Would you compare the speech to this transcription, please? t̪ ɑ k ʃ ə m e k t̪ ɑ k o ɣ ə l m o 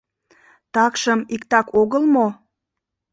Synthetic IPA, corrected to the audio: t̪ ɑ k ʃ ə m i k t̪ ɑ k o ɣ ə l m o